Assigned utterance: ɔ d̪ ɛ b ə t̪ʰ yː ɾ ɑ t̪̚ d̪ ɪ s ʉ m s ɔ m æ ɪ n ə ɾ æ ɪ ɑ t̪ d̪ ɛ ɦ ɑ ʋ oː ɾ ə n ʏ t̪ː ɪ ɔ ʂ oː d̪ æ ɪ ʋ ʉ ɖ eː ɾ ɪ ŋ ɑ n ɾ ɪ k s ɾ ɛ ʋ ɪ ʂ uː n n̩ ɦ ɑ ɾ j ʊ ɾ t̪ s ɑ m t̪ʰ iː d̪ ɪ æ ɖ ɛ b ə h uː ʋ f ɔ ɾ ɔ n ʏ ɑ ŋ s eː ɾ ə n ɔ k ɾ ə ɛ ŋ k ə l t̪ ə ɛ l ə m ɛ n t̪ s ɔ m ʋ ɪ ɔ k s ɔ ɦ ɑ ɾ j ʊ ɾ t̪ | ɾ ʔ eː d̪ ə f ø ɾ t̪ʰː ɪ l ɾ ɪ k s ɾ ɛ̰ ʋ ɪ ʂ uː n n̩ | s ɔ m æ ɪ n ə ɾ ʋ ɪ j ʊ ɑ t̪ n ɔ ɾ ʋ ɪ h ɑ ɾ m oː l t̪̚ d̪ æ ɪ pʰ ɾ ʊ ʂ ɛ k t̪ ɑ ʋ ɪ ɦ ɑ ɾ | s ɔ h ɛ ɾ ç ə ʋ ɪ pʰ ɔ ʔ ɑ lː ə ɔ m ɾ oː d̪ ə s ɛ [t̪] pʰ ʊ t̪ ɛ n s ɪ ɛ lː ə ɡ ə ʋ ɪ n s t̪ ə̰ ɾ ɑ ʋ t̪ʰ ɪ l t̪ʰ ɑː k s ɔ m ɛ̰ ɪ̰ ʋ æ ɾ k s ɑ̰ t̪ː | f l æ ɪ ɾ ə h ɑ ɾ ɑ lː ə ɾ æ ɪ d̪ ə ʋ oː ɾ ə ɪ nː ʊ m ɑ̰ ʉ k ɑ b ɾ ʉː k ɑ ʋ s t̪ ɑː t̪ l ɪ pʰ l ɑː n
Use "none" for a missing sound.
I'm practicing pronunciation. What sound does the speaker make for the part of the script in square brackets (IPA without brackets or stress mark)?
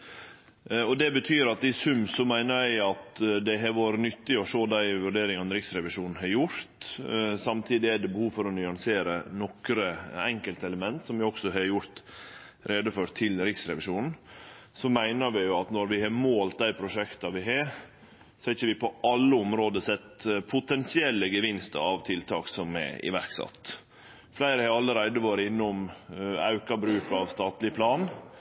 t̪